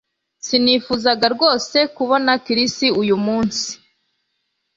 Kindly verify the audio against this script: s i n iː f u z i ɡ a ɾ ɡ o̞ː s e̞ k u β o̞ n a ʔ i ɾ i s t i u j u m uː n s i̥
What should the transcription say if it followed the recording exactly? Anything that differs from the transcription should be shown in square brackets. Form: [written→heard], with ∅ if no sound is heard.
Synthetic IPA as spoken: s i n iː f u z [i→a] ɡ a ɾ ɡ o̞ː s e̞ k u β o̞ n a [ʔ→k] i ɾ i s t i u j u m uː n s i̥